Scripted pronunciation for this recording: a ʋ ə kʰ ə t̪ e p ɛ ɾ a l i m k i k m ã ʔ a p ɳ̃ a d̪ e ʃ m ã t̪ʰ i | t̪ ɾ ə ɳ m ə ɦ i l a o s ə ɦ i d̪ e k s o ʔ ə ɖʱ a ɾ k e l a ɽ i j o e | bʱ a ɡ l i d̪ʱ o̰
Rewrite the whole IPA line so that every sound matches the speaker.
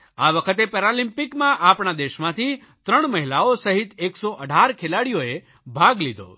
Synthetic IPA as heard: a ʋ ə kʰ ə t̪ e p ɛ ɾ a l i m p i k m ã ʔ a p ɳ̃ a d̪ e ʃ m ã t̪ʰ i | t̪ ɾ ə ɳ m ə ɦ i l a o s ə ɦ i t̪ e k s o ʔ ə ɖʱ a ɾ kʰ e l a ɽ i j o e | bʱ a ɡ l i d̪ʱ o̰

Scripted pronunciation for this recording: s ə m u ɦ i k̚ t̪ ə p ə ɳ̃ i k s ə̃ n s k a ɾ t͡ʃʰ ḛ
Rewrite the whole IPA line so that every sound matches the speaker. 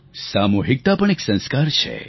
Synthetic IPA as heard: s a m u ɦ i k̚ t̪ a p ə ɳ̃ e k s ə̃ n s k a ɾ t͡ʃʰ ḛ

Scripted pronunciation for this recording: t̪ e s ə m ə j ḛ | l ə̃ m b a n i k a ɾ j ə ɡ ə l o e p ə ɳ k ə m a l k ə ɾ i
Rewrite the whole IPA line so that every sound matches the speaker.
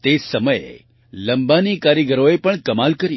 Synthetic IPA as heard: t̪ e s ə m ə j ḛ | l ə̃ m b a n i k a ɾ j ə ɡ ə ɾ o e p ə ɳ k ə m a l k ə ɾ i

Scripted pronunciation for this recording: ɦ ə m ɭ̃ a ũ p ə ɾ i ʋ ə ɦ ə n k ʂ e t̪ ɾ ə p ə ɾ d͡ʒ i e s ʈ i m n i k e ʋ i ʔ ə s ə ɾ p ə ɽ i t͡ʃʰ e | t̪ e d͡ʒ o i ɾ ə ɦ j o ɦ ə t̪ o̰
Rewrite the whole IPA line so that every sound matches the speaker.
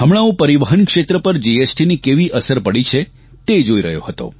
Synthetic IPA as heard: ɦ ə m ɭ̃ a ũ p ə ɾ i ʋ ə ɦ ə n k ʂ e t̪ ɾ ə p ə ɾ d͡ʒ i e s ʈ i n i k e ʋ i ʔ ə s ə ɾ p ə ɽ i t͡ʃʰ e | t̪ e d͡ʒ o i ɾ ə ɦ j o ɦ ə t̪ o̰

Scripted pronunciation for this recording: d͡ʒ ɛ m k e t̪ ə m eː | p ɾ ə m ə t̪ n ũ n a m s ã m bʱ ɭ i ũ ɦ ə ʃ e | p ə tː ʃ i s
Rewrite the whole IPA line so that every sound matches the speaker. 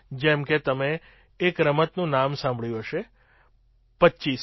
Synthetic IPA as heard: d͡ʒ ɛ m k e t̪ ə m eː | k ɾ ə m ə t̪ n ũ n a m s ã m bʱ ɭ j ũ ɦ ə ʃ e | p ə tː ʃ i s

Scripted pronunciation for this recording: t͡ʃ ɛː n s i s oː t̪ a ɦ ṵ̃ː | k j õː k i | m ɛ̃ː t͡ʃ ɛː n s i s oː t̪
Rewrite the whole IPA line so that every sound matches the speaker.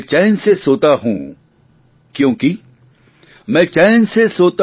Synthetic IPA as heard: t͡ʃ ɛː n s e s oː t̪ a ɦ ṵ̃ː | k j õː k i | m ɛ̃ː t͡ʃ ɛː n s e s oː t̪

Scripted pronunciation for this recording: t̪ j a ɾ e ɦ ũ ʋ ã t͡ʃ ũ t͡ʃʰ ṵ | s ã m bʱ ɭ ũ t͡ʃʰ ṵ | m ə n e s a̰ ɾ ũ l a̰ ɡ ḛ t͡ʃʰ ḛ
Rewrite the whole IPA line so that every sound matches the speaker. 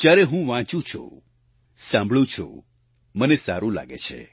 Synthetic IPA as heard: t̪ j a ɾ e ɦ ũ ʋ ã t͡ʃ ũ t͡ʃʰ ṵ | s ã m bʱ ɭ ũ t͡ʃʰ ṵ | m ə n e s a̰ ɾ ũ l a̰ ɡ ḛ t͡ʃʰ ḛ

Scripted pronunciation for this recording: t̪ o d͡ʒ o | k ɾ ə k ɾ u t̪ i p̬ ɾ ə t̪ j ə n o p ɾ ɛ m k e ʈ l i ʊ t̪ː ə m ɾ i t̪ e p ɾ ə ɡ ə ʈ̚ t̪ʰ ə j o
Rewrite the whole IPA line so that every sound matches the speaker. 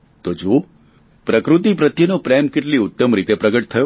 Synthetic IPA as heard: t̪ o d͡ʒ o | p ɾ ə k ɾ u t̪ i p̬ ɾ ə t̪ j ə n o p ɾ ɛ m k e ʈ l i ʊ t̪ː ə m ɾ i t̪ e p ɾ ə ɡ ə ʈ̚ t̪ʰ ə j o

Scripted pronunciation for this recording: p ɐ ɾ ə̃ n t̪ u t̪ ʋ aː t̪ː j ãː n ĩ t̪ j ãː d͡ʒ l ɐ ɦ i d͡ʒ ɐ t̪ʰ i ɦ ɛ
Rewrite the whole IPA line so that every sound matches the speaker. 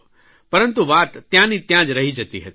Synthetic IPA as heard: p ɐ ɾ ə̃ n t̪ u ʋ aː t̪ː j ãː n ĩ t̪ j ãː d͡ʒ ɾ ɐ ɦ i d͡ʒ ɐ t̪ i ɦ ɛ

